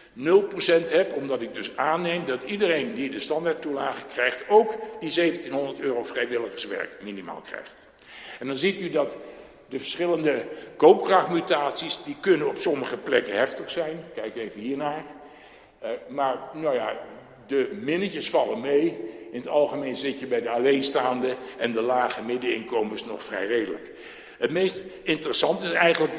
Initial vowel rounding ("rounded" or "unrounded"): rounded